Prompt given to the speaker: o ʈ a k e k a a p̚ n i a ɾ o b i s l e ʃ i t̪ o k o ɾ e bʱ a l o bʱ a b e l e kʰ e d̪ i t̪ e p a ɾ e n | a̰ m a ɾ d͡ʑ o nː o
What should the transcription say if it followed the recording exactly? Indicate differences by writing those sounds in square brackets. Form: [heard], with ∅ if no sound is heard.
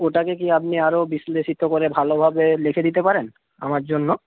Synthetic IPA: o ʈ a k e k [i] a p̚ n i a ɾ o b i s l e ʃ i t̪ o k o ɾ e bʱ a l o bʱ a b e l e kʰ e d̪ i t̪ e p a ɾ e n | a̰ m a ɾ d͡ʑ o nː o

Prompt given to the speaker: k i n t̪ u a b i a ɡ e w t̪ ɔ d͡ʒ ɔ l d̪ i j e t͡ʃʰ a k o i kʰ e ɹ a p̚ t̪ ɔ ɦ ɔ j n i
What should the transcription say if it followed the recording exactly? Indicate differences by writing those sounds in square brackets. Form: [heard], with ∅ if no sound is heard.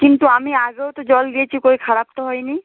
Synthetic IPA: k i n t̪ u a [m] i a ɡ e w t̪ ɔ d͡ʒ ɔ l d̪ i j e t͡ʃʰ [i] k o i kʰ [a] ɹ a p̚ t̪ ɔ ɦ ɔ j n i

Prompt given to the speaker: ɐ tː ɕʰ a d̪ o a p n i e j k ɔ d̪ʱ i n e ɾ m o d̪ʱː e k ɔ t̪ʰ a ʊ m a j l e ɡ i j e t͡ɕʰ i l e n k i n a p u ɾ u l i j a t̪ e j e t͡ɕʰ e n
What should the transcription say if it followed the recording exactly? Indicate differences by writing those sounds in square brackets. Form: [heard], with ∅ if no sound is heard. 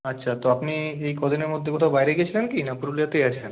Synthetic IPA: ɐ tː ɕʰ a [t̪] o a p n i e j k ɔ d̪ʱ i n e ɾ m o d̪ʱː e k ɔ t̪ʰ a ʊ [b] a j [ɾ] e ɡ i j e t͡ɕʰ i l e n k i n a p u ɾ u l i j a t̪ e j [a] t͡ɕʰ e n

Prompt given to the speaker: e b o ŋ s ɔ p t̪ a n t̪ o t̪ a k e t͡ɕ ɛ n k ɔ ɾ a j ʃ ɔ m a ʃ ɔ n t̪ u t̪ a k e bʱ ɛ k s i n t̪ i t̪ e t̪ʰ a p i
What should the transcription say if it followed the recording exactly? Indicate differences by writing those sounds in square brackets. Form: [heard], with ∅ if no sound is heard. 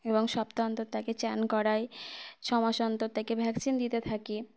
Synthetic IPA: e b o ŋ [ʃ] ɔ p t̪ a n t̪ o t̪ a k e t͡ɕ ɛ n k ɔ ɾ a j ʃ ɔ m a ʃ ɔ n t̪ [o] t̪ a k e bʱ ɛ k s i n [d̪] i t̪ e t̪ʰ a [k] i

